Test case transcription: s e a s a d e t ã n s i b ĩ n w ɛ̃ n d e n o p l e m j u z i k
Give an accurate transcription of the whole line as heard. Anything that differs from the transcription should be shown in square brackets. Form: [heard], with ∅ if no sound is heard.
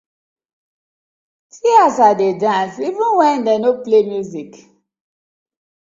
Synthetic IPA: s [i] a s a d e [d] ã n s i [v] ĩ n w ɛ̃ n d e n o p l e m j u z i k